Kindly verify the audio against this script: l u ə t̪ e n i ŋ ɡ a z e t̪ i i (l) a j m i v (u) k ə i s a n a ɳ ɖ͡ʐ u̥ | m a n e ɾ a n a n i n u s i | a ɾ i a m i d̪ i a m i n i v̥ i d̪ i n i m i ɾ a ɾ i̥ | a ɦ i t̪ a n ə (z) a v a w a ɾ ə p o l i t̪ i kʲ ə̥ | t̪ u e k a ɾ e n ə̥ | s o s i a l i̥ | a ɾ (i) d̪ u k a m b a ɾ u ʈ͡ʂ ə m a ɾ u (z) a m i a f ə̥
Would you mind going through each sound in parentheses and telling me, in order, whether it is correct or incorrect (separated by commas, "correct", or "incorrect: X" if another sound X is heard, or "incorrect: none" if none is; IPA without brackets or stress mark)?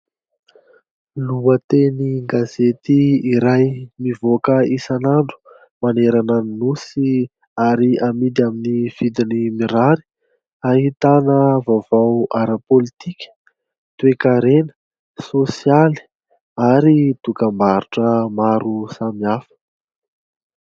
incorrect: ɾ, incorrect: o, incorrect: v, correct, incorrect: s